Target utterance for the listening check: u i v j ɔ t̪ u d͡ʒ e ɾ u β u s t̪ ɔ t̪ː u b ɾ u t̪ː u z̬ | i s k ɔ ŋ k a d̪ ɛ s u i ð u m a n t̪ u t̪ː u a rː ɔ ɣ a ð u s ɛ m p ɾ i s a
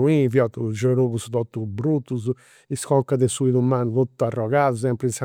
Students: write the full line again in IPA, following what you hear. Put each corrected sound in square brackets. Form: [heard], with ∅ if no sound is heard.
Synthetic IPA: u i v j ɔ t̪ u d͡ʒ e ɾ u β u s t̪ ɔ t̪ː u b ɾ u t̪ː u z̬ | i s k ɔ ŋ k a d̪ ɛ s u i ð u m a n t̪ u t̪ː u a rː ɔ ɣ a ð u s ɛ m p ɾ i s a